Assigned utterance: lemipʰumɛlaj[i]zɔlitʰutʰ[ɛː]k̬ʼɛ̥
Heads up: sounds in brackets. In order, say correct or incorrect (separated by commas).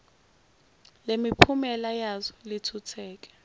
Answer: incorrect, correct